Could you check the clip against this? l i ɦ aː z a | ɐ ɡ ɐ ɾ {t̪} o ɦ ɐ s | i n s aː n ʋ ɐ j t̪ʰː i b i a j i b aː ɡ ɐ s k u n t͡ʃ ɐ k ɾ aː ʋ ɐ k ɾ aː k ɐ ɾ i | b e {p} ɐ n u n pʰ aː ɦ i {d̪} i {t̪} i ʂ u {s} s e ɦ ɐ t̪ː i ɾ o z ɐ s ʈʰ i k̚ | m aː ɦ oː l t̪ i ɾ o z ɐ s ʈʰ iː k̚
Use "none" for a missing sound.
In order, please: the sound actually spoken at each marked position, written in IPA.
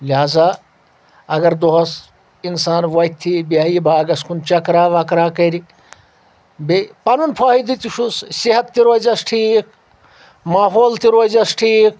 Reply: d̪, p, d̪, t̪, s

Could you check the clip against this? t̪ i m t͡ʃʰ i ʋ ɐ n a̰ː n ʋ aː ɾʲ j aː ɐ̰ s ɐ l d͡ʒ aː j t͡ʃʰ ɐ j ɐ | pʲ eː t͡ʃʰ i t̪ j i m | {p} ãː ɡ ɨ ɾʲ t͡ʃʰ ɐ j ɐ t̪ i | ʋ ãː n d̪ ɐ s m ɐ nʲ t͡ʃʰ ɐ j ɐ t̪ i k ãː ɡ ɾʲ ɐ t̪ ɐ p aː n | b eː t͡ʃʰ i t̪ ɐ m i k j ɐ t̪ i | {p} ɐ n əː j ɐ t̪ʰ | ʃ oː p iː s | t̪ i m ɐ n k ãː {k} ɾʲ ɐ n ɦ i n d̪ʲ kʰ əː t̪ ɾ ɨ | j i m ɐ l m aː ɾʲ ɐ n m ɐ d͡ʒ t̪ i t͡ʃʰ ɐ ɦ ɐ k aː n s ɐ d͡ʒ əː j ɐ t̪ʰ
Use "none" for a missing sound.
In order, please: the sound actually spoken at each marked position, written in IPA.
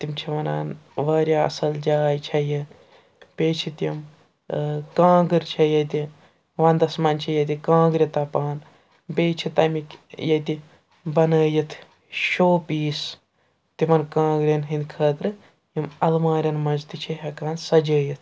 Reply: k, b, ɡ

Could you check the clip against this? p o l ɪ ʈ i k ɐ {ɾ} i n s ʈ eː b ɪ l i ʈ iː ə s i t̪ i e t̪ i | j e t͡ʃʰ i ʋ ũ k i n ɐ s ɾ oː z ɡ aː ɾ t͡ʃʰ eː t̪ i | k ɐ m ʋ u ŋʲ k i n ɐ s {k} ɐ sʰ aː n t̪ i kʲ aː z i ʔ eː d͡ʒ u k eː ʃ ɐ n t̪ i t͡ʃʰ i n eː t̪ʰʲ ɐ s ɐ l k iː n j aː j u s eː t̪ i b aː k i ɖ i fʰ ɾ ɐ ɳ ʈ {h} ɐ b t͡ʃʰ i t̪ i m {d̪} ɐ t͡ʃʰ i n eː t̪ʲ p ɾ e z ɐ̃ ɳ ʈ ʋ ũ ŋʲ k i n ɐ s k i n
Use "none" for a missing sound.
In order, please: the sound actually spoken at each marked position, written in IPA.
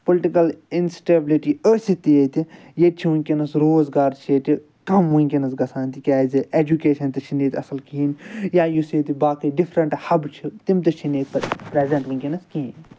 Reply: l, ɡ, h, t̪

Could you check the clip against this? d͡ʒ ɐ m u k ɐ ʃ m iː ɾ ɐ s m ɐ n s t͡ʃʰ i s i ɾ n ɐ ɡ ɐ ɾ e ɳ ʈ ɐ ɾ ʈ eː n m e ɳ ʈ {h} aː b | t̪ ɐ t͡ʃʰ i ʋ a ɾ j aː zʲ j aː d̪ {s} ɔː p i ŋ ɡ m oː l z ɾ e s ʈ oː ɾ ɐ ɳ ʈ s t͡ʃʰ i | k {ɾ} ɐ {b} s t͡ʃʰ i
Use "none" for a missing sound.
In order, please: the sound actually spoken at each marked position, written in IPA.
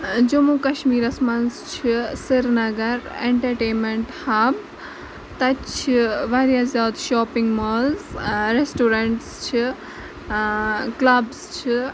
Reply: h, ʃ, l, b

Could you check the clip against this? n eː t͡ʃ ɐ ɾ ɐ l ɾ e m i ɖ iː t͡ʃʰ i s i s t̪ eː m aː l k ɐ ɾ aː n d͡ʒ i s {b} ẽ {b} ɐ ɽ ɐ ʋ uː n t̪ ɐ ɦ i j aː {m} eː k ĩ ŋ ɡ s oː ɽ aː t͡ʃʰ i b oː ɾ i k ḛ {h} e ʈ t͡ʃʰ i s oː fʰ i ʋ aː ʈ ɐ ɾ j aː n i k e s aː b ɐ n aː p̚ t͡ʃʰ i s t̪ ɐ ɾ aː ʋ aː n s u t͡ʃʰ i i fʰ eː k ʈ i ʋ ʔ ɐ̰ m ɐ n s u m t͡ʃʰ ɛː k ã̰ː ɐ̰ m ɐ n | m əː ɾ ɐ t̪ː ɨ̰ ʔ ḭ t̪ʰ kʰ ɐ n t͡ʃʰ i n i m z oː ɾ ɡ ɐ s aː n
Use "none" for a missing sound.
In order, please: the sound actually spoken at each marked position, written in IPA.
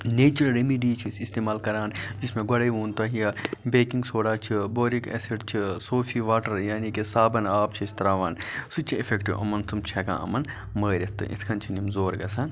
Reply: m, ɡ, b, s

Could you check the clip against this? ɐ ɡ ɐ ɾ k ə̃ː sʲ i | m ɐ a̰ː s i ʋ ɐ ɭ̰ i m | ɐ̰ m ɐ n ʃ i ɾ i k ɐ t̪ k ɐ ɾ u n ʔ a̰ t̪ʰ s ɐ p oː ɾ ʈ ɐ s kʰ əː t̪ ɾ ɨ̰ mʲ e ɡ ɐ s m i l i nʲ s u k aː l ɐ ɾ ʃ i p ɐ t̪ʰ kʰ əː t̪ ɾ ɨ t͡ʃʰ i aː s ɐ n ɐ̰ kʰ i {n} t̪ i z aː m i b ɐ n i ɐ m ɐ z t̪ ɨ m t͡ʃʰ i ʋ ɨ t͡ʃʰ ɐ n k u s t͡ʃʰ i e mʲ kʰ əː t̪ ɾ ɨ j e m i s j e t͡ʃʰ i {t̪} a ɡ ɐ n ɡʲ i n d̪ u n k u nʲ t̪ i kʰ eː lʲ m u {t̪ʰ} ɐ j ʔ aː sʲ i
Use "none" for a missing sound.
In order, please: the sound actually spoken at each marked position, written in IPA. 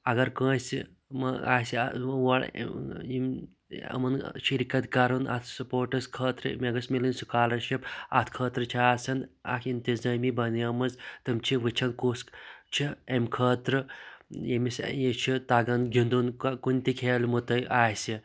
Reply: n, t̪, t̪

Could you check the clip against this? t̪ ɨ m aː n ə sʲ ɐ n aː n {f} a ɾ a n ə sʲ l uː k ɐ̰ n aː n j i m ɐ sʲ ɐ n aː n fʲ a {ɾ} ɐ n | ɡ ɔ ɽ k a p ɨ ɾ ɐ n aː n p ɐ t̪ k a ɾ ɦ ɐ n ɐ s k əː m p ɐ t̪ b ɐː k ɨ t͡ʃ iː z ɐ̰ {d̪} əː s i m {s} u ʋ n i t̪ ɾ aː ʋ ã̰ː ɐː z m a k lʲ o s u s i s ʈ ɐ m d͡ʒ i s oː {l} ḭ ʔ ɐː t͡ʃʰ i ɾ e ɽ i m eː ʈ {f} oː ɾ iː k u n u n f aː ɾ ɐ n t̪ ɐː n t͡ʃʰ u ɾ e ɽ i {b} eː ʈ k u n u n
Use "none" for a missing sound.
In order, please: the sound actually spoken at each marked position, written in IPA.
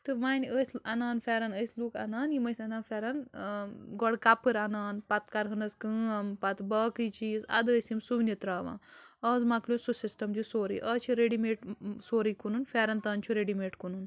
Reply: f, ɾ, d̪, s, ɾ, s, m

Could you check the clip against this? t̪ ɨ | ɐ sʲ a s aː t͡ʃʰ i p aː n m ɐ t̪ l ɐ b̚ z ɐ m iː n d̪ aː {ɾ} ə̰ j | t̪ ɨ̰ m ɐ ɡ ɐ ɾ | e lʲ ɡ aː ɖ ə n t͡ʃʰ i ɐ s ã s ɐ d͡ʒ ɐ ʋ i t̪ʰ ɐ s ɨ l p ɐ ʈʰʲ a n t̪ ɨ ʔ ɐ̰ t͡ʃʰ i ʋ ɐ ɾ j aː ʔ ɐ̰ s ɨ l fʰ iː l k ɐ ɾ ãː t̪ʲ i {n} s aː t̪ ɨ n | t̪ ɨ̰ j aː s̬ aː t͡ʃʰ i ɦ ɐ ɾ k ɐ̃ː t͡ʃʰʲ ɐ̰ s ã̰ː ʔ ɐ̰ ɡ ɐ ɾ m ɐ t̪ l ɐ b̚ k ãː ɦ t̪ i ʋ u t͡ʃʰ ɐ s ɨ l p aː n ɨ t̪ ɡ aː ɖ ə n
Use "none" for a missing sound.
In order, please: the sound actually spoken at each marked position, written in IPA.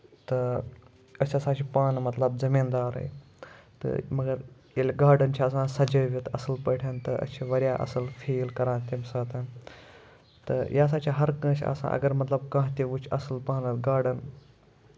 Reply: ɾ, m

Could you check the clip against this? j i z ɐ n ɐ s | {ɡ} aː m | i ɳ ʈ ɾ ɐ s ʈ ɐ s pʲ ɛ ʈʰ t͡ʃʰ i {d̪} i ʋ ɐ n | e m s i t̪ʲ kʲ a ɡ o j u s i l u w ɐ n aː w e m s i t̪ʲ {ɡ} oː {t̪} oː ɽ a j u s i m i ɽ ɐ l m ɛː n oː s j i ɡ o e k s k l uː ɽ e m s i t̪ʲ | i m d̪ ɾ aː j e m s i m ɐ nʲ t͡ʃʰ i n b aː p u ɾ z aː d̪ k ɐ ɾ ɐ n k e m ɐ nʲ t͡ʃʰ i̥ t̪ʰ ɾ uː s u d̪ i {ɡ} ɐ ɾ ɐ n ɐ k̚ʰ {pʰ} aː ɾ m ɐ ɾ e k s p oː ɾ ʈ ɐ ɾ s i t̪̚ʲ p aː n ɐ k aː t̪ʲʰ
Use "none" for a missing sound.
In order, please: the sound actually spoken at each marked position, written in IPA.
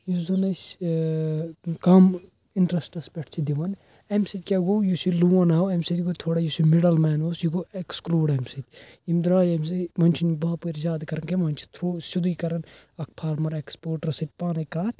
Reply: k, d̪, ɡ, t̪ʰ, k, pʰ

